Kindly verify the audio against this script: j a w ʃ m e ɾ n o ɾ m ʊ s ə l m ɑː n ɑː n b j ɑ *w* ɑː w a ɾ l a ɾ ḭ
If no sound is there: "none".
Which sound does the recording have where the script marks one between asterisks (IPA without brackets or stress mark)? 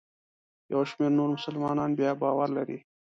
b